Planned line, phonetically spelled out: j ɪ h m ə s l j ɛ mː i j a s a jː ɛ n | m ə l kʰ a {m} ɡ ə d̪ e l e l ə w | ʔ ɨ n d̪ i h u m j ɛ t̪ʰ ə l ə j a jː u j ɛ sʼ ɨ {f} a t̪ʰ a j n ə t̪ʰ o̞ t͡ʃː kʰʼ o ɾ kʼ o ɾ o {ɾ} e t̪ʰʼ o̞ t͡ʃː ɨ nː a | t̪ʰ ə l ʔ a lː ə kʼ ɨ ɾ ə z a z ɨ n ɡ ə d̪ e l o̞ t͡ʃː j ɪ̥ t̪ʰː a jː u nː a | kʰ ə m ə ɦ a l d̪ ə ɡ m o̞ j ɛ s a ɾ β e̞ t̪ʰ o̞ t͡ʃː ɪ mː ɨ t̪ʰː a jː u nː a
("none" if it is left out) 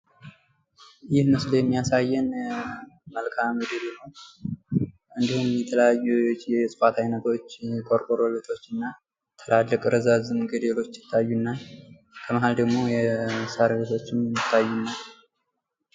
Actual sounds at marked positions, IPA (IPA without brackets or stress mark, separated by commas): m, f, l